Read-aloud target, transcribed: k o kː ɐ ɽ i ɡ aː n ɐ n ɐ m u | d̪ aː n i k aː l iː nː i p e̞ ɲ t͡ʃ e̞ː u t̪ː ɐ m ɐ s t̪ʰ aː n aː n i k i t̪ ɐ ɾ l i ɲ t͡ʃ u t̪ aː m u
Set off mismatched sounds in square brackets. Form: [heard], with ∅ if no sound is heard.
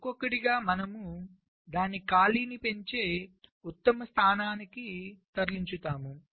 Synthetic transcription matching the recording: k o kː ɐ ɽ i ɡ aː [m] ɐ n ɐ m u | d̪ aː n i k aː l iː [n] i p e̞ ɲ t͡ʃ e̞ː u t̪ː ɐ m ɐ s t̪ʰ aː n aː n i k i t̪ ɐ ɾ l i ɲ t͡ʃ u t̪ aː m u